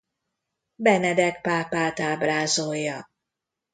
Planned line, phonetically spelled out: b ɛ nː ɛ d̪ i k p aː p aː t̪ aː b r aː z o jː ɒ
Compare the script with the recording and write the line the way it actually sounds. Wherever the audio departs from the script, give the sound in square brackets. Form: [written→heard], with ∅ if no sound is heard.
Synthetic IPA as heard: b ɛ [nː→n] ɛ d̪ [i→ɛ] k p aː p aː t̪ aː b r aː z o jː ɒ